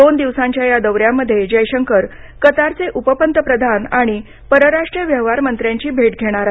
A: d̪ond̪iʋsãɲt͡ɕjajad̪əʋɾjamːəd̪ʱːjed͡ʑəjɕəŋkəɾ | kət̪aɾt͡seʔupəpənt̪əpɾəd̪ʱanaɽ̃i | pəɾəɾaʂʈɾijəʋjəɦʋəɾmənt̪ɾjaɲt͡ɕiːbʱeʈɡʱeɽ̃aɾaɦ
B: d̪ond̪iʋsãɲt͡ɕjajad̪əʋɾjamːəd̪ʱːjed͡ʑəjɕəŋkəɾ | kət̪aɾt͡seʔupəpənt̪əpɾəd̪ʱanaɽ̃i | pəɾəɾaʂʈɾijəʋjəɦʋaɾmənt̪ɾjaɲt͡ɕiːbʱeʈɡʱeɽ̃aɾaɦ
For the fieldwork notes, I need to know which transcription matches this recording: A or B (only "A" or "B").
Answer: B